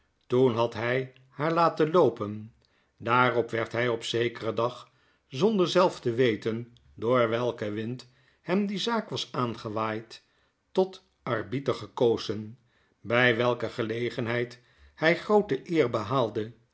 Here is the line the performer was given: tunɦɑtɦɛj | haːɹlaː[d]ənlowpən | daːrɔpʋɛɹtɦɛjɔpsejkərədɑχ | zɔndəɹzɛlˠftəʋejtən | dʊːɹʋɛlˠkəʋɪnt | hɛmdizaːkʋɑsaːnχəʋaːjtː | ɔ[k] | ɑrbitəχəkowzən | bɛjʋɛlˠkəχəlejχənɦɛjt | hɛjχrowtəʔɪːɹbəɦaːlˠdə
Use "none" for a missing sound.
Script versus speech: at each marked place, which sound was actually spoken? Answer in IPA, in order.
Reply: t, t

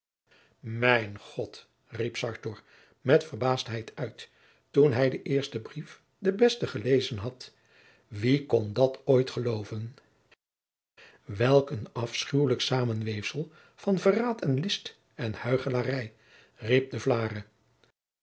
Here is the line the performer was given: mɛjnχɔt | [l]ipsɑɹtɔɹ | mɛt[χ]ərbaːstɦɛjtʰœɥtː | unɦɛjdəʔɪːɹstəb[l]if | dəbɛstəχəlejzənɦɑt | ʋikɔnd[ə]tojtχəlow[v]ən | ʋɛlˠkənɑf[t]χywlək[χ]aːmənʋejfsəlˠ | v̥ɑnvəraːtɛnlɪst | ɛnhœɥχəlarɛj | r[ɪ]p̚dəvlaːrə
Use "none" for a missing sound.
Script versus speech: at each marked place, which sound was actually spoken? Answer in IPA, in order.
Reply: r, f, r, ɑ, v, s, s, i

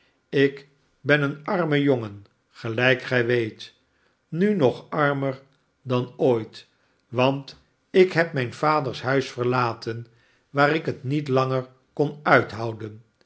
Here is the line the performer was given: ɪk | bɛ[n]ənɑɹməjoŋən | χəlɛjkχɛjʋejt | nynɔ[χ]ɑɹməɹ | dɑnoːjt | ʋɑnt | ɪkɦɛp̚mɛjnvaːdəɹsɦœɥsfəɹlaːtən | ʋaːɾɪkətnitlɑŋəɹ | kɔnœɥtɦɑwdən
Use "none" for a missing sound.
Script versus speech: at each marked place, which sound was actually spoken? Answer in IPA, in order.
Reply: n, χ

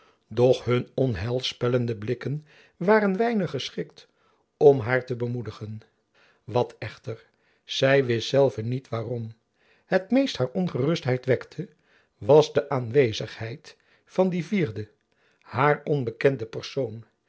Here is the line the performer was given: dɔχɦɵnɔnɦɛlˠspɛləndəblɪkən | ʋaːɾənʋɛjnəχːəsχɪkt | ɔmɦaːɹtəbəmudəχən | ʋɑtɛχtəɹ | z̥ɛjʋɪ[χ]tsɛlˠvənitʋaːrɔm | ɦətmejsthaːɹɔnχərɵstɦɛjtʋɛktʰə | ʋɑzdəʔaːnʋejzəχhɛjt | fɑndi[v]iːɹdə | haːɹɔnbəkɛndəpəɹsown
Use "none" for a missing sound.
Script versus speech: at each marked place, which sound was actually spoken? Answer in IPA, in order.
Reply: s, v

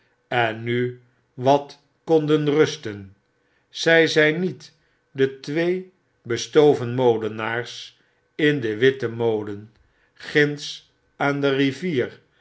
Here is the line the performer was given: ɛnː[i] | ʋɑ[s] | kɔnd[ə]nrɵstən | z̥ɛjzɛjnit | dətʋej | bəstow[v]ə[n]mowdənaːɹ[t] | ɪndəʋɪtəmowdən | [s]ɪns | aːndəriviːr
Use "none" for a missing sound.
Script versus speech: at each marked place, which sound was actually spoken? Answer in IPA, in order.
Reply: y, t, ə, v, n, s, χ

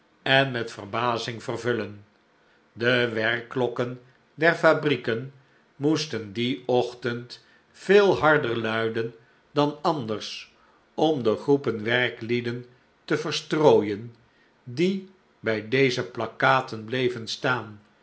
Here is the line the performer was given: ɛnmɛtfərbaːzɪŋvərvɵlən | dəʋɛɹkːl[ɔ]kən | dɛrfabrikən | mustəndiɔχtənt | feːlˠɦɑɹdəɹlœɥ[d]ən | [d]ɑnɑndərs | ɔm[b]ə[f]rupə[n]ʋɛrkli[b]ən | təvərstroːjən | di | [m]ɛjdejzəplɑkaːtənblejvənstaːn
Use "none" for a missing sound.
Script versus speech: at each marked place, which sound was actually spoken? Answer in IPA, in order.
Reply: ɔ, d, d, d, χ, n, d, b

